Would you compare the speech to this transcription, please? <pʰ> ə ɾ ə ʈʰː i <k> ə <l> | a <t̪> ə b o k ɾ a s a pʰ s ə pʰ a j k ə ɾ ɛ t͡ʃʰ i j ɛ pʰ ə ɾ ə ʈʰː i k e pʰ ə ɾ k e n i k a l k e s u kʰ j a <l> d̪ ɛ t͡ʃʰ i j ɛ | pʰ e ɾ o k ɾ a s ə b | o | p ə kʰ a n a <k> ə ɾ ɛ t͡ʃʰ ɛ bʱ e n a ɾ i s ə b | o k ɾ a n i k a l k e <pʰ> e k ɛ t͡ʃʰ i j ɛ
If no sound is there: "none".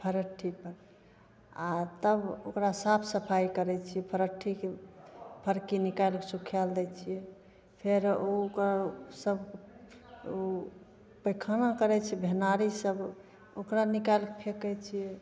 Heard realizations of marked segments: pʰ, p, ɾ, t̪, l, k, pʰ

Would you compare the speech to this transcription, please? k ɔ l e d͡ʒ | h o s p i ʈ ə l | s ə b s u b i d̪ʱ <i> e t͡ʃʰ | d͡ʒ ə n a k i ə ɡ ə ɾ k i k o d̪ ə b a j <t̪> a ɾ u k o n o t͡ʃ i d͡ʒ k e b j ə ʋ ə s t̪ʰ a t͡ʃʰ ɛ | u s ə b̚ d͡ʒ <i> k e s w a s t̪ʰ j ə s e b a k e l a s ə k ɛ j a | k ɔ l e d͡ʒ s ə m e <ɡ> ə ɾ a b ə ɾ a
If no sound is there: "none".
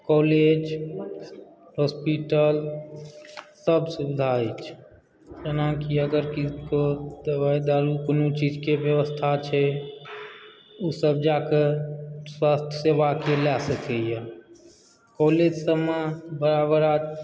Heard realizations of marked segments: a, d̪, a, b

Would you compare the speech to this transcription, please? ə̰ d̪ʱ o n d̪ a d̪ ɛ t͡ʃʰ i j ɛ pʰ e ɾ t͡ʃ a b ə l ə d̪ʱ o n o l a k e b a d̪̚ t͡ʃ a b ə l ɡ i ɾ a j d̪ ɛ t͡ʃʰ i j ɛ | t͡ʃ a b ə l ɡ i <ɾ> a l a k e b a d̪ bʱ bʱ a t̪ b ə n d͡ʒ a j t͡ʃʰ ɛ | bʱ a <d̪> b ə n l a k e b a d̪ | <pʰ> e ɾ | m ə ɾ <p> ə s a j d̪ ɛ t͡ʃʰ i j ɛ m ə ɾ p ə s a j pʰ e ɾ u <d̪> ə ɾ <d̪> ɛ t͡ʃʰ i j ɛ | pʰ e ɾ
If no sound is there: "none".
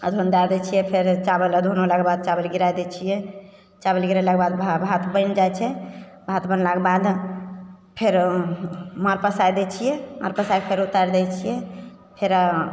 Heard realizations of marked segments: ɾ, t̪, pʰ, p, t̪, d̪

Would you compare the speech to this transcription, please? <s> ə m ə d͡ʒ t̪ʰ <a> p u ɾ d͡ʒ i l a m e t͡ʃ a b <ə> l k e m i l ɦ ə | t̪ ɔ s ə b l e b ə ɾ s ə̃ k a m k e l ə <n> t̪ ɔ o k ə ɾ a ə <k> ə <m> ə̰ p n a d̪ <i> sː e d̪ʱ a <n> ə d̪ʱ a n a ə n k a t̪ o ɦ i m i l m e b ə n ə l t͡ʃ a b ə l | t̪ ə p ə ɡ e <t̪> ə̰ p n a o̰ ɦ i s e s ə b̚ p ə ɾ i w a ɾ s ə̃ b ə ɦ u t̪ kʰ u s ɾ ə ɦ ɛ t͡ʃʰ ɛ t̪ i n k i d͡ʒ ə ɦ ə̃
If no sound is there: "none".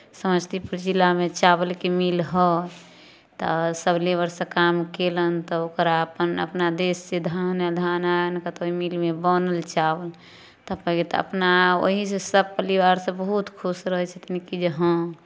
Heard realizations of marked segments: s, i, ə, n, p, n, e, n, t̪

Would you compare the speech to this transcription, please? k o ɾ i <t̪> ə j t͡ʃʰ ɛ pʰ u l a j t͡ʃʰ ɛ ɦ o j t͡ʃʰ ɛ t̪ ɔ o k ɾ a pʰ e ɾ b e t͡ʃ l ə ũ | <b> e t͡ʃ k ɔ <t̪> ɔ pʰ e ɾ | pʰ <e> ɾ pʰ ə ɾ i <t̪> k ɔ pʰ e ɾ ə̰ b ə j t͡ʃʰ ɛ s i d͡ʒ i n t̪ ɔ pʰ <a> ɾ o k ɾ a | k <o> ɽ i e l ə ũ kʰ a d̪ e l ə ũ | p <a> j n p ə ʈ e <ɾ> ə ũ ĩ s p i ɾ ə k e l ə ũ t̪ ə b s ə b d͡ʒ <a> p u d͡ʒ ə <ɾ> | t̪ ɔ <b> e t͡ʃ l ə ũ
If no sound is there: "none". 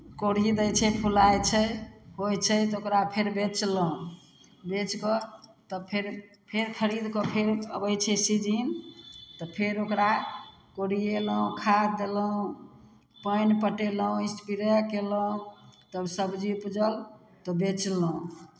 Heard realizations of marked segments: d̪, b, t̪, e, d̪, e, o, ə, l, i, l, b

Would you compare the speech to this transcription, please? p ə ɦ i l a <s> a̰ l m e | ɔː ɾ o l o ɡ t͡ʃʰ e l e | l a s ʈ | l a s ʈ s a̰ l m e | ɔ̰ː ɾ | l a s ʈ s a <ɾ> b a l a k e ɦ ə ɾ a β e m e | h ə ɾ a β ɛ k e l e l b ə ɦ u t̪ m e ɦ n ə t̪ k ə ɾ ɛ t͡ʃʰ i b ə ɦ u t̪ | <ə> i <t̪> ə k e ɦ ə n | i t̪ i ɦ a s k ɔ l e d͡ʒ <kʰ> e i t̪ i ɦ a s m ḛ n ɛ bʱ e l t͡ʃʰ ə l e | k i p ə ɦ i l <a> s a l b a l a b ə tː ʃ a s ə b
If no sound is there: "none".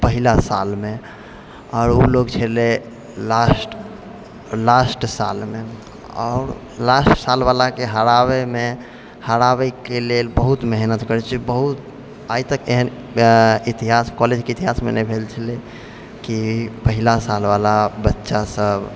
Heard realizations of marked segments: s, l, a, t̪, k, a

